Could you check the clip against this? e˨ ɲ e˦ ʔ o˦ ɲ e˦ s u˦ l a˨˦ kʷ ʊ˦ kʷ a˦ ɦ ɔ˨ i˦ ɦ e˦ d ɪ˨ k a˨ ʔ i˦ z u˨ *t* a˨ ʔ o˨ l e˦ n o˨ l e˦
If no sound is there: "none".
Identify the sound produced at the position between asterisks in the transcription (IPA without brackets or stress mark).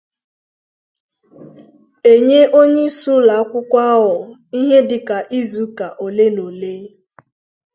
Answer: k